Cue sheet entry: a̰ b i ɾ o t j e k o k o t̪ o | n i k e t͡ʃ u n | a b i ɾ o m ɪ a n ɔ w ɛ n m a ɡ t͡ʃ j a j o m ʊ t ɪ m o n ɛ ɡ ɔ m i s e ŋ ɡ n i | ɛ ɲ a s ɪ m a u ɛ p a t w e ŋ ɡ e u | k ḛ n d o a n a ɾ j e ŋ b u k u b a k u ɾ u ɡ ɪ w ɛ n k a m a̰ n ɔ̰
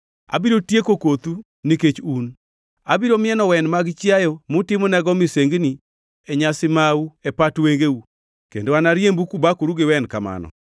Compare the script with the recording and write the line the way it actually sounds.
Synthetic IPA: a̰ b i ɾ o t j e k o k o t̪ u | n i k e t͡ʃ u n | a b i ɾ o m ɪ ɛ n ɔ w ɛ n m a ɡ t͡ʃ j a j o m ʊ t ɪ m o n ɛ ɡ ɔ m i s e ŋ ɡ n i | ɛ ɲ a s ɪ m a u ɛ p a t w e ŋ ɡ e u | k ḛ n d o a n a ɾ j e m b u k u b a k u ɾ u ɡ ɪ w ɛ n k a m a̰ n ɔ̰